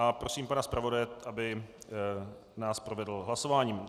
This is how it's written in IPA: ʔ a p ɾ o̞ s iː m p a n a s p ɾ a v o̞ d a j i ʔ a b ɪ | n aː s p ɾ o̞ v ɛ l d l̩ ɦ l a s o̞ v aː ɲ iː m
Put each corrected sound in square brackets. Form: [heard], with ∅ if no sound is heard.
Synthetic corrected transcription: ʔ a p ɾ o̞ s iː m p a n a s p ɾ a v o̞ d a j [ɛ] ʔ a b ɪ | n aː s p ɾ o̞ v ɛ [∅] d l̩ ɦ l a s o̞ v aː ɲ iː m